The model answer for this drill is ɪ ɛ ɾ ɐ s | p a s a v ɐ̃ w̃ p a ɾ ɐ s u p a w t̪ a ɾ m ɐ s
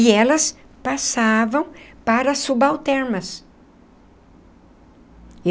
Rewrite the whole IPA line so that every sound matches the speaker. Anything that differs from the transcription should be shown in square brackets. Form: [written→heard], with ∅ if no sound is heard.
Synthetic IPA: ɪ ɛ [ɾ→l] ɐ s | p a s a v ɐ̃ w̃ p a ɾ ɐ s u [p→b] a w t̪ [a→ɛ] ɾ m ɐ s